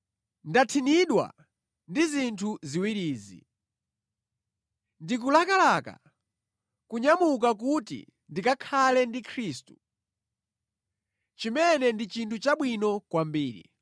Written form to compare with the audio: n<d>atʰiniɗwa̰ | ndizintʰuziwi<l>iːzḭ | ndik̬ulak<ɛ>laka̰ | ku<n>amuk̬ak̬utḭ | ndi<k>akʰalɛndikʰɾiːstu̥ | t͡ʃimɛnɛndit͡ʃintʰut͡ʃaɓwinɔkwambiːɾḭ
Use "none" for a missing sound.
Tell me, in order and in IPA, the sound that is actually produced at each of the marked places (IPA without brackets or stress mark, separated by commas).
d, ɾ, a, ɲ, k